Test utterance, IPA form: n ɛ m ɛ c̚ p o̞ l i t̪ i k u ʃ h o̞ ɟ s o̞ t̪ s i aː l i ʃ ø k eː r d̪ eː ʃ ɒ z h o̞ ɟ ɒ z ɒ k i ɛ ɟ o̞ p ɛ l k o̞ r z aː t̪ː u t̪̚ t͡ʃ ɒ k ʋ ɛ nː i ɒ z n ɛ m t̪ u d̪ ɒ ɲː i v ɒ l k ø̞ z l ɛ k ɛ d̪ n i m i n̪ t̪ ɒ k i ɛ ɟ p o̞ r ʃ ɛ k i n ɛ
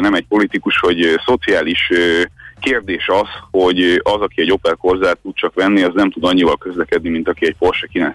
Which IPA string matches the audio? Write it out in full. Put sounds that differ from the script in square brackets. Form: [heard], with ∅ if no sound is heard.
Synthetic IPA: n ɛ m ɛ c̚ p o̞ l i t̪ i k u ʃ h o̞ ɟ s o̞ t̪ s i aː l i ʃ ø k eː r d̪ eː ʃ ɒ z h o̞ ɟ ɒ z ɒ k i ɛ ɟ o̞ p ɛ l k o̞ r z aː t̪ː u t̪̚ t͡ʃ ɒ k ʋ ɛ nː i ɒ z n ɛ m t̪ u d̪ ɒ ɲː i v ɒ l k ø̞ z l ɛ k ɛ d̪ n i m i n̪ t̪ ɒ k i ɛ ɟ p o̞ r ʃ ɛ k i n ɛ